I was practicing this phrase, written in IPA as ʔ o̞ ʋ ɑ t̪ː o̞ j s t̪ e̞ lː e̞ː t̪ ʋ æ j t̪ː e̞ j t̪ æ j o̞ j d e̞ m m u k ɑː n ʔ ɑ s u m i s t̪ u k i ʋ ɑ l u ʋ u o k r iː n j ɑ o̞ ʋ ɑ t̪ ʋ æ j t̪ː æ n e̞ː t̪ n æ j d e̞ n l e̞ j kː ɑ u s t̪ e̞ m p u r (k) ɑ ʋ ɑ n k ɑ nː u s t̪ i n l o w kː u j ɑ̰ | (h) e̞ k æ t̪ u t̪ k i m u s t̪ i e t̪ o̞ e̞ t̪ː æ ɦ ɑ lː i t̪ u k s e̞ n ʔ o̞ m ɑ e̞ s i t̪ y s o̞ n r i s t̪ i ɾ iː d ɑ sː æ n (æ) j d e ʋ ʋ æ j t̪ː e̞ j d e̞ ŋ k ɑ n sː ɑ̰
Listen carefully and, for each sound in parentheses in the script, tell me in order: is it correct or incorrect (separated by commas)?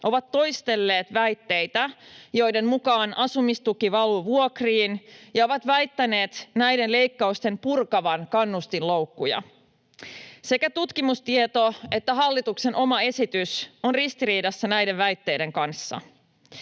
correct, incorrect, correct